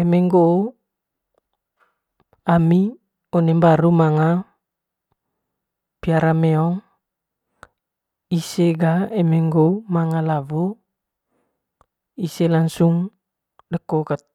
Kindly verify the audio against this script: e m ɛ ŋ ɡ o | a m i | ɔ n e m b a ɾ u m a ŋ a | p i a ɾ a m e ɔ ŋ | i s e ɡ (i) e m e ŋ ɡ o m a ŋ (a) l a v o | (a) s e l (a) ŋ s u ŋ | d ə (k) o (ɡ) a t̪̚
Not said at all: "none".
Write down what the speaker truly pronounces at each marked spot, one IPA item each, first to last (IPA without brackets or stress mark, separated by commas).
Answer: a, a, i, a, k, k